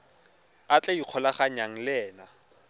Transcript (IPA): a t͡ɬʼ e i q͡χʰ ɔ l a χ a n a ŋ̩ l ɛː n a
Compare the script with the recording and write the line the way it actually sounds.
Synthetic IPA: a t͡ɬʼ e i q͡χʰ ɔ l a χ a ɲ a ŋ̩ l ɛː n a